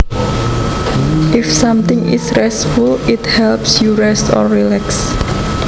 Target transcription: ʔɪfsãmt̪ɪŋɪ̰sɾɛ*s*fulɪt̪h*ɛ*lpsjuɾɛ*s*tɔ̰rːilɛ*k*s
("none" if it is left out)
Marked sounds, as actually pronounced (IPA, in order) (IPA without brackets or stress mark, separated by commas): s, ɛ, s, k